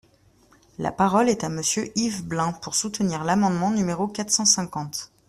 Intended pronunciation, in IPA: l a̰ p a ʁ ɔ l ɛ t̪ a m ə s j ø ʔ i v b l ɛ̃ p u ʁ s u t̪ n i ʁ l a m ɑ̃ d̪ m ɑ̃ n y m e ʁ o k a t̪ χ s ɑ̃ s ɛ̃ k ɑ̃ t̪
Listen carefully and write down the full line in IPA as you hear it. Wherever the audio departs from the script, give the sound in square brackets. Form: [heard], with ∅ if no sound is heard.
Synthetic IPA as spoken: l a̰ p a ʁ ɔ l ɛ t̪ a m ə s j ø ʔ i v b l ɛ̃ p u ʁ s u t̪ n i ʁ l a m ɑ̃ d̪ m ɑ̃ n y m e ʁ o k a t̪ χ s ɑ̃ s ɛ̃ k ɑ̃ t̪